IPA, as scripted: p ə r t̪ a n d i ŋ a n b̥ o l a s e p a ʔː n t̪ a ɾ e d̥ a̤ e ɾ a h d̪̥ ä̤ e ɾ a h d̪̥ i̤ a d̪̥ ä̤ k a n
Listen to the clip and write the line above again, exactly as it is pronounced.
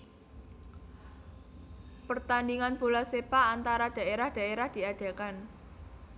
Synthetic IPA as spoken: p ə r t̪ a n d i ŋ a n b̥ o l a s e p a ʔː n t̪ a ɾ a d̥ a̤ e ɾ a h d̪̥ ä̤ e ɾ a h d̪̥ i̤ a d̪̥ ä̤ k a n